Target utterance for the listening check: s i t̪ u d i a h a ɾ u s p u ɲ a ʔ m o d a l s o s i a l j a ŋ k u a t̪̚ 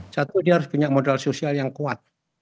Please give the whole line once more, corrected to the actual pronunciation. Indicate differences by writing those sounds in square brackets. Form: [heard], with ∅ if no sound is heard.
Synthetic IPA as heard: s [a] t̪ u d i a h a ɾ [ʊ] s p u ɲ a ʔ m o d a l s o s i a l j a ŋ k u a t̪̚